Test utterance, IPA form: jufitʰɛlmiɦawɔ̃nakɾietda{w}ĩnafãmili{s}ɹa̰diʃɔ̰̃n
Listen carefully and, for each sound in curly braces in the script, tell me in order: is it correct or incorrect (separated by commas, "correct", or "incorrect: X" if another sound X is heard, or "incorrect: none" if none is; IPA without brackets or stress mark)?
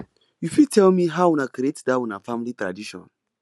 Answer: correct, incorrect: t